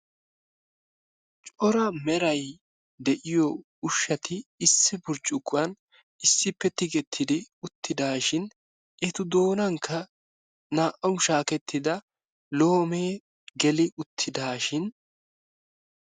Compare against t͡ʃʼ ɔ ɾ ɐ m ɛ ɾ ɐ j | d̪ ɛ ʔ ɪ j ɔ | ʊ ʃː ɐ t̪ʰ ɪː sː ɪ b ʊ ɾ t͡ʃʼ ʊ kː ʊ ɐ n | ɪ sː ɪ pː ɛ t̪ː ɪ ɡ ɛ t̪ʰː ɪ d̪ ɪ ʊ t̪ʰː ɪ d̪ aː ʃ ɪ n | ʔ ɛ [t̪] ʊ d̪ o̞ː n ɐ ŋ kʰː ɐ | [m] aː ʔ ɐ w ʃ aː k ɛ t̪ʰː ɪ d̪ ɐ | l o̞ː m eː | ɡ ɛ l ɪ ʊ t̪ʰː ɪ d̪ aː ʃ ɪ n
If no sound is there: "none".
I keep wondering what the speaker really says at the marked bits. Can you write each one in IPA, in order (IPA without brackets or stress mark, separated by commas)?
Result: t̪, n